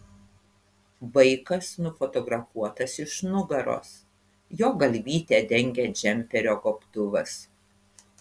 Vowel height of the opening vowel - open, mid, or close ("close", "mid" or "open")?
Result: open